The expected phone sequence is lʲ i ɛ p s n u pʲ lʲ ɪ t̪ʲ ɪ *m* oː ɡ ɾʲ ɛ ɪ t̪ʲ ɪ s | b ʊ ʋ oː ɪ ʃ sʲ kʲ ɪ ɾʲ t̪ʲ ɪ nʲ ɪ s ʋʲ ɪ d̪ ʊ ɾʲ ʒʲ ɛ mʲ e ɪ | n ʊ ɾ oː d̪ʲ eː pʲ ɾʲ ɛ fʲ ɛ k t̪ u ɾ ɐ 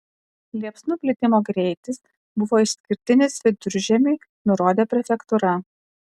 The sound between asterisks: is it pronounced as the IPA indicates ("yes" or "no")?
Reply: yes